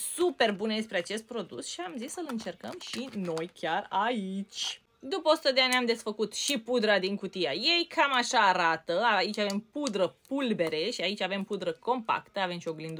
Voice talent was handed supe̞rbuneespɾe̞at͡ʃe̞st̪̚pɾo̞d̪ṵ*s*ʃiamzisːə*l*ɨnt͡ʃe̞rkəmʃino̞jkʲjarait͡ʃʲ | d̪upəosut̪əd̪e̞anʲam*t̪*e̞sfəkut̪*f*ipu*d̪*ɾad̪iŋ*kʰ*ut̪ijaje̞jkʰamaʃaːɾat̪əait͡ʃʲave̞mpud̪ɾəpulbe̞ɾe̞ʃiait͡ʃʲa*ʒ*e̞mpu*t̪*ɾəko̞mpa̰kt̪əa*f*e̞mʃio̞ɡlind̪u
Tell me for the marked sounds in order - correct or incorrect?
correct, correct, incorrect: d̪, incorrect: ʃ, correct, incorrect: k, incorrect: v, incorrect: d̪, incorrect: v

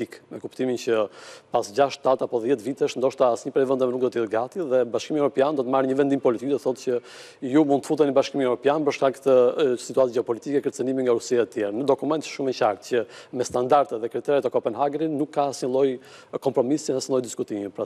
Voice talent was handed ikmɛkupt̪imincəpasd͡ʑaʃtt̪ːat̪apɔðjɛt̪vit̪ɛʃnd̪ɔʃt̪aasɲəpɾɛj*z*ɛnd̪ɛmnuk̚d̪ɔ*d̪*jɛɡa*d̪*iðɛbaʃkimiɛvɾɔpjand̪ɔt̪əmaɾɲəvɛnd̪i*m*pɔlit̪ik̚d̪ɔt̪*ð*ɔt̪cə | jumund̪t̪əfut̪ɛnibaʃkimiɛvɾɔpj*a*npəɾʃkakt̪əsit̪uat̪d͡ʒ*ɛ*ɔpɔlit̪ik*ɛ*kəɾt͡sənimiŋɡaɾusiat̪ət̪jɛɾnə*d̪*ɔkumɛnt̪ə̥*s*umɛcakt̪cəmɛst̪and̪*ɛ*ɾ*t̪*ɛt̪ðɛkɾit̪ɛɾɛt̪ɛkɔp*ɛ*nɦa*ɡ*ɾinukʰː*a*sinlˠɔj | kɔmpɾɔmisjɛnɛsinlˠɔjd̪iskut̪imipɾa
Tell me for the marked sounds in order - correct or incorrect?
incorrect: v, incorrect: t̪, incorrect: t̪, correct, incorrect: θ, correct, correct, correct, correct, incorrect: ʃ, incorrect: a, correct, correct, correct, correct

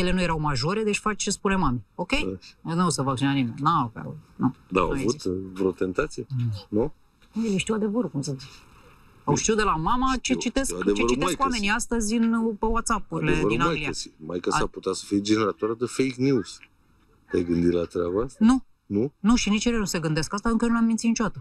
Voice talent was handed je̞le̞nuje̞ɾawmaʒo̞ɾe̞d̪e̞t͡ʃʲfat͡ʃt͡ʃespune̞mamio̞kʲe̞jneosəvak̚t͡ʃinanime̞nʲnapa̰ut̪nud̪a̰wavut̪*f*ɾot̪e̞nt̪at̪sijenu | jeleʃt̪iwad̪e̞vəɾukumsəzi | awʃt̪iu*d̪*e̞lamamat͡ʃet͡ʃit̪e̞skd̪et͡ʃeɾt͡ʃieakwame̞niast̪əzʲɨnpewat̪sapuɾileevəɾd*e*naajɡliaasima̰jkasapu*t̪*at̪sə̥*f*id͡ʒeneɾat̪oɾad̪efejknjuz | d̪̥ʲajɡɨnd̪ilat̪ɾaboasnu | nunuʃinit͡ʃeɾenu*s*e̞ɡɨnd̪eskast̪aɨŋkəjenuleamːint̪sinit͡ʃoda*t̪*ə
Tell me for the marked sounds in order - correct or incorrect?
incorrect: v, correct, incorrect: i, correct, correct, correct, correct

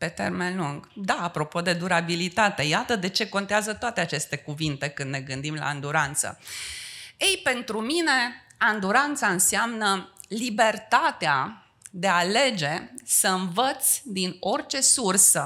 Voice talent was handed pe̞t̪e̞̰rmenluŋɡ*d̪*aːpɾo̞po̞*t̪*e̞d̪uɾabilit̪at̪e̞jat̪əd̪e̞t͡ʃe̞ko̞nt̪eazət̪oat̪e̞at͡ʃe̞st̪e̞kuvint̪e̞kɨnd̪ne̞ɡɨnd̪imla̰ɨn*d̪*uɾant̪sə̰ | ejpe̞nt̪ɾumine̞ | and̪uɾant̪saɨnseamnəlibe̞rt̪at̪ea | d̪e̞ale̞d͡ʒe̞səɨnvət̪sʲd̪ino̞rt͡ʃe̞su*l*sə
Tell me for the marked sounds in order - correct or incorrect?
correct, incorrect: d̪, correct, incorrect: r

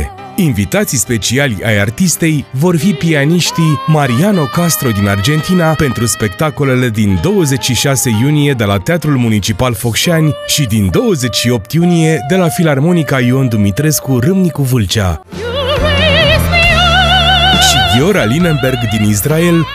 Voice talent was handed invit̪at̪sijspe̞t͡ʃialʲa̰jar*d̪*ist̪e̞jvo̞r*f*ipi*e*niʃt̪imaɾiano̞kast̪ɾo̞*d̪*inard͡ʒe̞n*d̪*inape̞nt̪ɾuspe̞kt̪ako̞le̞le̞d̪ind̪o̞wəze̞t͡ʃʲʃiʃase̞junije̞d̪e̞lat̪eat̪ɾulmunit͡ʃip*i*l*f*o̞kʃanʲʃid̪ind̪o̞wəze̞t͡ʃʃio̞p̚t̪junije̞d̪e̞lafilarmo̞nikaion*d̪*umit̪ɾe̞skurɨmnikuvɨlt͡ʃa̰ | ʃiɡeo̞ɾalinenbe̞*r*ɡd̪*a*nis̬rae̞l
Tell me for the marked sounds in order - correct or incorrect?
incorrect: t̪, correct, incorrect: a, correct, incorrect: t̪, incorrect: a, correct, correct, correct, incorrect: i

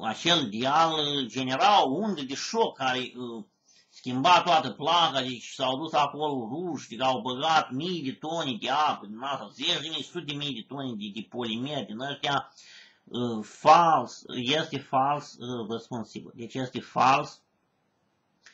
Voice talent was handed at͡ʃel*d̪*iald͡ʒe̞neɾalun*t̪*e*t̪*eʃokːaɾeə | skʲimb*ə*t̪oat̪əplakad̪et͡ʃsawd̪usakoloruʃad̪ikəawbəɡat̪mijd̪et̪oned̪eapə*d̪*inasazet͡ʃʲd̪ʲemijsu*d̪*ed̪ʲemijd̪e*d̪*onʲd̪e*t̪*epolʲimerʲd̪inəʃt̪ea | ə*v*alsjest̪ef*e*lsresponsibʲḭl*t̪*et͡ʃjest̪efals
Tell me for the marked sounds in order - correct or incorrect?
correct, incorrect: d̪, incorrect: d̪, incorrect: a, correct, incorrect: t̪, incorrect: t̪, incorrect: d̪, incorrect: f, incorrect: a, incorrect: d̪

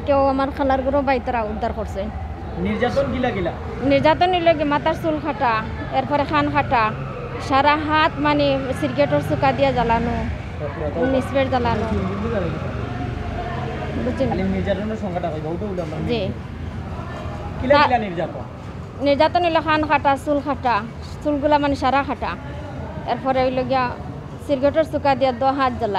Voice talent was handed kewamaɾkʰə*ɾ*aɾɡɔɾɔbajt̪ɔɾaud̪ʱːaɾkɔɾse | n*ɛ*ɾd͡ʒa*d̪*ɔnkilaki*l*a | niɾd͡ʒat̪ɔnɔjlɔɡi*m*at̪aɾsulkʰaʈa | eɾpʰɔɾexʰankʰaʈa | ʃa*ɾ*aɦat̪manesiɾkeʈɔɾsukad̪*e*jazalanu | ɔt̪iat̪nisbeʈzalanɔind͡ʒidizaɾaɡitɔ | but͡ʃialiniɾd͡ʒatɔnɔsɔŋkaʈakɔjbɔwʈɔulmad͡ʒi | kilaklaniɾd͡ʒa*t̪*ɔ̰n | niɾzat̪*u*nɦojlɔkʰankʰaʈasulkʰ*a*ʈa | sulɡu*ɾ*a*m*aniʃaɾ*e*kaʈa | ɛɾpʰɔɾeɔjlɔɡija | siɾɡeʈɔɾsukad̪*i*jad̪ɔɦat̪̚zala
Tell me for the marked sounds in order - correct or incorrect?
incorrect: l, incorrect: i, incorrect: t̪, correct, correct, correct, incorrect: i, correct, incorrect: ɔ, correct, incorrect: l, correct, incorrect: a, correct

